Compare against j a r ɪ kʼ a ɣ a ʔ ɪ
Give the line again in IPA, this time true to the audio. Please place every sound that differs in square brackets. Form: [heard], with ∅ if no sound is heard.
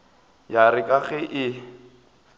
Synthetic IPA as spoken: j a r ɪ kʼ a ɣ [ɛ] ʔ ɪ